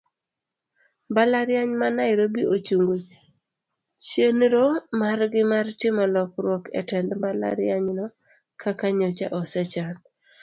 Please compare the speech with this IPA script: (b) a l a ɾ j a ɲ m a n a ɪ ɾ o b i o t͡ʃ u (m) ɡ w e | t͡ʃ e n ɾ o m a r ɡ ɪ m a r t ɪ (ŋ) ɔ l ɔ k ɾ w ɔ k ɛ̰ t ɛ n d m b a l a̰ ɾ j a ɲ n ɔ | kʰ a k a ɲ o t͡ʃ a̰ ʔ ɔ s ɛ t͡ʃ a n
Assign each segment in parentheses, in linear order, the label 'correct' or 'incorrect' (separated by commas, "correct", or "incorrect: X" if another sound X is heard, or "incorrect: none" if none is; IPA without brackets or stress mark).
correct, incorrect: ŋ, incorrect: m